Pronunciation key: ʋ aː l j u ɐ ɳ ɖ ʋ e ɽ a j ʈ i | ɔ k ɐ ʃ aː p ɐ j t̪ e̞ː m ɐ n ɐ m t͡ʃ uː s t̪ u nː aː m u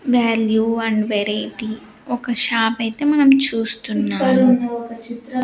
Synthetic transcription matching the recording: ʋ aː l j u ɐ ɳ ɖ ʋ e ɾ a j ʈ i | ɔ k ɐ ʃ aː p ɐ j t̪ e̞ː m ɐ n ɐ m t͡ʃ uː s t̪ u nː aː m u